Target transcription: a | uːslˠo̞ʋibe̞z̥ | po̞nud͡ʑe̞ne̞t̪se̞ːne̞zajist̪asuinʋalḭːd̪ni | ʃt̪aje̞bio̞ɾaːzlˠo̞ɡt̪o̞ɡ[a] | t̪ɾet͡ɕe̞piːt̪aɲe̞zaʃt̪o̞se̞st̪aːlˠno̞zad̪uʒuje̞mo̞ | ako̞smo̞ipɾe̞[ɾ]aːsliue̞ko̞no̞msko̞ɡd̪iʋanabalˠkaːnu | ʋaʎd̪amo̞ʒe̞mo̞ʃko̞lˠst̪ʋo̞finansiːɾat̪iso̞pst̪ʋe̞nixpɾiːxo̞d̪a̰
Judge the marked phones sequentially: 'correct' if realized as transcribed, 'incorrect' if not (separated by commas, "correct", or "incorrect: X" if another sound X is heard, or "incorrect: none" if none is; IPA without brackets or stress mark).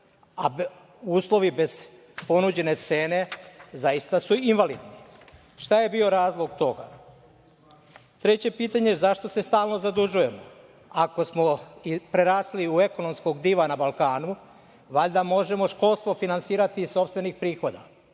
correct, correct